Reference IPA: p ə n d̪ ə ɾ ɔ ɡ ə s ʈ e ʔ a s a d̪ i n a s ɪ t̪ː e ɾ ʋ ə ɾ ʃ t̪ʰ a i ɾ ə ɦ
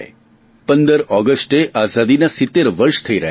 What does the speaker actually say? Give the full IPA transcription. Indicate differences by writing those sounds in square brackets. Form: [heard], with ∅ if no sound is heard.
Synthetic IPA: p ə n d̪ ə ɾ ɔ ɡ ə s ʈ e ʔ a [z] a d̪ i n a s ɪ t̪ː e ɾ ʋ ə ɾ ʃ t̪ʰ [ə] i ɾ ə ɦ